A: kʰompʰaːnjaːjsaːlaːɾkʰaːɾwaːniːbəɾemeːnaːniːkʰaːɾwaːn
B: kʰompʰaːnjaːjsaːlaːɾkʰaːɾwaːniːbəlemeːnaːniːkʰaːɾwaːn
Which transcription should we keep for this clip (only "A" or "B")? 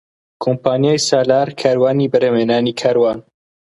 A